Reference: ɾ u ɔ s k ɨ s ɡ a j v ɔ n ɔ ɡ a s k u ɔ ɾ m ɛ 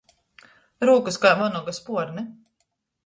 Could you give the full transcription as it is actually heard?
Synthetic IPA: ɾ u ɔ k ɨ s k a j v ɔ n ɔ ɡ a s p u ɔ ɾ n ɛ